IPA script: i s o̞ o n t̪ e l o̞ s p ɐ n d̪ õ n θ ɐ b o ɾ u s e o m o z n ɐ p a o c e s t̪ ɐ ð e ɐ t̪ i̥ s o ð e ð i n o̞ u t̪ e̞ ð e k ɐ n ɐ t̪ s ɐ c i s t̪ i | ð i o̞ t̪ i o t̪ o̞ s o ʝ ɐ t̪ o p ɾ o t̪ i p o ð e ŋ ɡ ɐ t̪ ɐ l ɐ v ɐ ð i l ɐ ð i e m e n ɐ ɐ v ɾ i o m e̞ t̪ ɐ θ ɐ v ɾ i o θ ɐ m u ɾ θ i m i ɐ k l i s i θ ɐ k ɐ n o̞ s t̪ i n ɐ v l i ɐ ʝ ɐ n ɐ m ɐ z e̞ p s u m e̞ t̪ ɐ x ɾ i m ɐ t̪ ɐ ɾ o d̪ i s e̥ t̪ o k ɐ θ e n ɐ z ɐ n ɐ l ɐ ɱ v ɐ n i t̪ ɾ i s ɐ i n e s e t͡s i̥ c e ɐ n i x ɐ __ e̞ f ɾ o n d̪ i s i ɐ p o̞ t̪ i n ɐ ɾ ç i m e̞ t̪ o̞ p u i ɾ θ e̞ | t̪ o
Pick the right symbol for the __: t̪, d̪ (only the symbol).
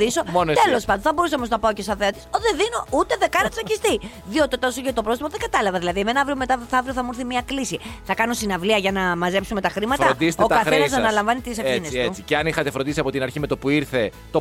t̪